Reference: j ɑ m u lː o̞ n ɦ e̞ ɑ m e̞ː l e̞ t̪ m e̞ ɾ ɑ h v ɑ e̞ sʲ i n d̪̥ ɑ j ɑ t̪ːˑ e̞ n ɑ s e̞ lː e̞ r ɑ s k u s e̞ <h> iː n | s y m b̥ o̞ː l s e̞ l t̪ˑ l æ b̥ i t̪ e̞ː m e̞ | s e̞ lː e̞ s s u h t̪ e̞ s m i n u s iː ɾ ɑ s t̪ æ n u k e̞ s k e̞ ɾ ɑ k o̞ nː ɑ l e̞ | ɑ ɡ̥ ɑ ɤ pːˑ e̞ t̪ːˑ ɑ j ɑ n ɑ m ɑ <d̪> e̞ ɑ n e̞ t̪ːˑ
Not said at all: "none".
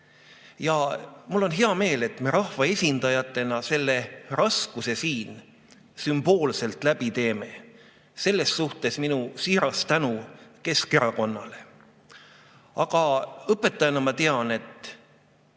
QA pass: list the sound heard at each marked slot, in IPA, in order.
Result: s, t̪

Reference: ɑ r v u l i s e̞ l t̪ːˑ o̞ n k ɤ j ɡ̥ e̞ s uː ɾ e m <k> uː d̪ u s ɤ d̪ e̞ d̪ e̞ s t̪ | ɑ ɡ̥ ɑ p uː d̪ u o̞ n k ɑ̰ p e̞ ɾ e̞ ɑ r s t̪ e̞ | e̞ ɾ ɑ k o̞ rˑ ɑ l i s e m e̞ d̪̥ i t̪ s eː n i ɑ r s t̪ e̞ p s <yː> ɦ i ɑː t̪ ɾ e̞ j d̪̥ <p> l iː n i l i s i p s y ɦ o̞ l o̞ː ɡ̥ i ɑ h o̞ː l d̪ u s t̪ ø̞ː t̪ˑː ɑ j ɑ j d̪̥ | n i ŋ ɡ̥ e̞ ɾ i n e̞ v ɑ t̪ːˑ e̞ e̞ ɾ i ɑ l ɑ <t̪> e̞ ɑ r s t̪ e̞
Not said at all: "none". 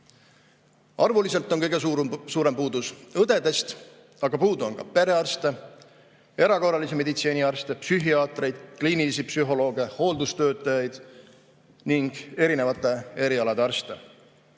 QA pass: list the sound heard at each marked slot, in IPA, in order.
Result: p, y, k, d̪

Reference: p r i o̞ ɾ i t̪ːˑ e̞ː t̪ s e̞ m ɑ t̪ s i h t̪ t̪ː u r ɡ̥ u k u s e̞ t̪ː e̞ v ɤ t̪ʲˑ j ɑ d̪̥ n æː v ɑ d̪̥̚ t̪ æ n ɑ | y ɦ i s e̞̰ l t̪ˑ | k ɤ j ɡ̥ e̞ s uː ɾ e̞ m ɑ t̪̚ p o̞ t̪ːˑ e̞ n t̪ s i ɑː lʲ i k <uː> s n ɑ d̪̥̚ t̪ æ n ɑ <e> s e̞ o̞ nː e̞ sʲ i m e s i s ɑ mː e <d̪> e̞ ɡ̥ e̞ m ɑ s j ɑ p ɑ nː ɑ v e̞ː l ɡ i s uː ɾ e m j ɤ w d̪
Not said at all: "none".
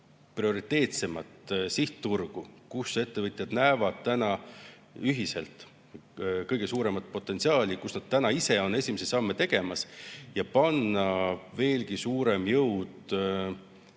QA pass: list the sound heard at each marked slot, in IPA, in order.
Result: u, i, t̪

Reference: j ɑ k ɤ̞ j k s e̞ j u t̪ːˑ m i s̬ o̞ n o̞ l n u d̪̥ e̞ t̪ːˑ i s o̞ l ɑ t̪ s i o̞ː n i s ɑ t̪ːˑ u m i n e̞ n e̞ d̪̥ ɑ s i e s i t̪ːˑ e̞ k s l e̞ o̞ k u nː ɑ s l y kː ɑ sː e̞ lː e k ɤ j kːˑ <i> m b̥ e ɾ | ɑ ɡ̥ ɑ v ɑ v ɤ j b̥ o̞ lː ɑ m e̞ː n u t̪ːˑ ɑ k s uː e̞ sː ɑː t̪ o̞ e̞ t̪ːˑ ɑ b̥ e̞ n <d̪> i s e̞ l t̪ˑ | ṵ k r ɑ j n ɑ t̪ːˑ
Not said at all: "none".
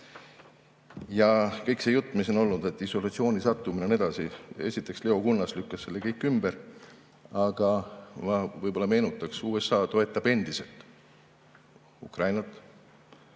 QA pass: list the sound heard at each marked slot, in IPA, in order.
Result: y, d̪

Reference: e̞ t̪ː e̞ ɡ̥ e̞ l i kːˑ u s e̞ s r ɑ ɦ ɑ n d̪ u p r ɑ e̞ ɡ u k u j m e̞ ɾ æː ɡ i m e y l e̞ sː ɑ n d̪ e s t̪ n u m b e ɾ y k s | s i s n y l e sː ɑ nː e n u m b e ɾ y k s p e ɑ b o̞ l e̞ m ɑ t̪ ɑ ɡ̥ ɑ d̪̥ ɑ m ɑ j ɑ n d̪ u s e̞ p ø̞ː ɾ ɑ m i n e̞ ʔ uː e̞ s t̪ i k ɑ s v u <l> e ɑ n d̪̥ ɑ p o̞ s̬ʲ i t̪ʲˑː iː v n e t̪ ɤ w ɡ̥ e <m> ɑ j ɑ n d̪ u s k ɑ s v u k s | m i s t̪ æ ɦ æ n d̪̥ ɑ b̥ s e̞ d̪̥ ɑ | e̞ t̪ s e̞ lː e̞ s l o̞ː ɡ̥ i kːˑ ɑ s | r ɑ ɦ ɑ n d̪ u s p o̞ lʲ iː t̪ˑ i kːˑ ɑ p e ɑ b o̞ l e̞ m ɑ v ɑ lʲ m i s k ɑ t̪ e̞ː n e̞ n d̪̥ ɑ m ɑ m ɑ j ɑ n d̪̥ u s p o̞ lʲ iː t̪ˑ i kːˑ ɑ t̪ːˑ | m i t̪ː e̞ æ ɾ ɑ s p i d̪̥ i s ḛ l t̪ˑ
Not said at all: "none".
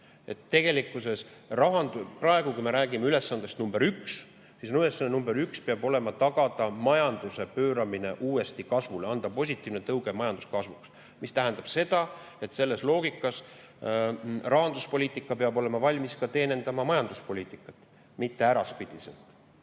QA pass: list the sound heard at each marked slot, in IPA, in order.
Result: l, m

